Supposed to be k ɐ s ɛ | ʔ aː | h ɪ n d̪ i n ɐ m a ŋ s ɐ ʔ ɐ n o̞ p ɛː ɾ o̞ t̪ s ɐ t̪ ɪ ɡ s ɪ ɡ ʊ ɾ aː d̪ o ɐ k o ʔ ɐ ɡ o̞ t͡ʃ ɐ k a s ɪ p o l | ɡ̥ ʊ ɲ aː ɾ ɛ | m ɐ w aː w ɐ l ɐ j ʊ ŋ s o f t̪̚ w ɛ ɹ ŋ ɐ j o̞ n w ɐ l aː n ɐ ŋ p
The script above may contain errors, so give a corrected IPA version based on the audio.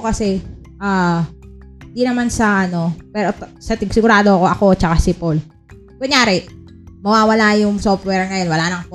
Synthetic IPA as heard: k ɐ s ɛ | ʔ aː | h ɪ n d̪ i n ɐ m a n s ɐ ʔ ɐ n o̞ p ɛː ɾ o̞ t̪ s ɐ t̪ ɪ ɡ s ɪ ɡ ʊ ɾ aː d̪ o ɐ k o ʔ ɐ k o̞ t͡ʃ ɐ k a s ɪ p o l | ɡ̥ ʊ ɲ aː ɾ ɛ | m ɐ w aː w ɐ l a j ʊ ŋ s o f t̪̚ w ɛ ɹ ŋ ɐ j o̞ n w ɐ l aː n ɐ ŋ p